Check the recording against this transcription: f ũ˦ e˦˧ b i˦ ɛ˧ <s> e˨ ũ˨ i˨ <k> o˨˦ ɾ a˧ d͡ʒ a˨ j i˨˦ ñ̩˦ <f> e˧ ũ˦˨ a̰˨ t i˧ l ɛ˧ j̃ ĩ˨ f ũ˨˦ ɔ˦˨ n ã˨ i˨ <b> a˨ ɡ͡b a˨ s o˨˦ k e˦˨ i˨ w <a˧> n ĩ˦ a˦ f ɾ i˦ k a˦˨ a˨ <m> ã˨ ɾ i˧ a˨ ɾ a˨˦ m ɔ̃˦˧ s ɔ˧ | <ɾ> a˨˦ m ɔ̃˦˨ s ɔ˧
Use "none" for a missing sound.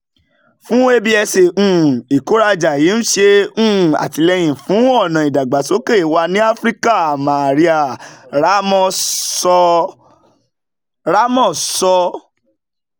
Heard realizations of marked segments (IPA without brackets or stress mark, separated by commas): s, k, ʃ, d, a˧, m, ɾ